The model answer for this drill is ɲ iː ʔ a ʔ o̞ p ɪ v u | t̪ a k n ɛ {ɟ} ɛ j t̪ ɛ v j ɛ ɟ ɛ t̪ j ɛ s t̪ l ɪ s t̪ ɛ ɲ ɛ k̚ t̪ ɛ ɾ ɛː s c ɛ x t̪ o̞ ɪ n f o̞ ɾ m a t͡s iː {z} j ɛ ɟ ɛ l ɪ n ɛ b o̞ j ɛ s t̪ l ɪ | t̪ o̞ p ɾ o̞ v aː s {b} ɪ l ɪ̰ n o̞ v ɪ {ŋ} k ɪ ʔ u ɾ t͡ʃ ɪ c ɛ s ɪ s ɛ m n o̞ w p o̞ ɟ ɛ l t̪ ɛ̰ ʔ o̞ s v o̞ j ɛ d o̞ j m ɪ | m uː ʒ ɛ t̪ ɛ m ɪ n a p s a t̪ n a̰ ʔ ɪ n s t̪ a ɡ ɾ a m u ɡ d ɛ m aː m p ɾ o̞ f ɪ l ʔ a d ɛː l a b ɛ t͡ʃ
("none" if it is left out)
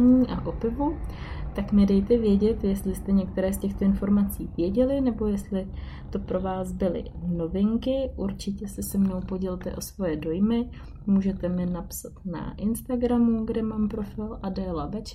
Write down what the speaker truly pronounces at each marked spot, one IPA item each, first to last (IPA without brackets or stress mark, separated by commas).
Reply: d, v, b, ŋ